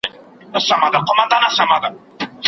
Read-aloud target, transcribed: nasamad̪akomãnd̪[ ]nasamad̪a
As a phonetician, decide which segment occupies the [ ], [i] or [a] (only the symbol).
a